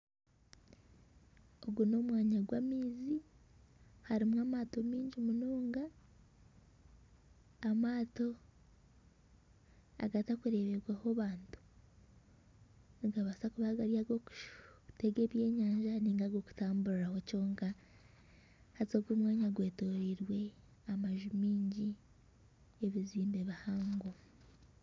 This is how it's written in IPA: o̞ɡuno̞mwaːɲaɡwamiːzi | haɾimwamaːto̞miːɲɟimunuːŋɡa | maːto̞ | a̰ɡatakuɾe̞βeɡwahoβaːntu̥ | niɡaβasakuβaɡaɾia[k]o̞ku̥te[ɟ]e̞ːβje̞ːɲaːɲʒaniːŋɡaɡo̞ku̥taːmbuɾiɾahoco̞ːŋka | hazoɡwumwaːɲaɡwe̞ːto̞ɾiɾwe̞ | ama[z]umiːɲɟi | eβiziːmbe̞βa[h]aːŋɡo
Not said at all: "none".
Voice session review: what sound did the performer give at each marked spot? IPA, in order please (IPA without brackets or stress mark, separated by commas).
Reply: ɡ, ɡ, ʒ, h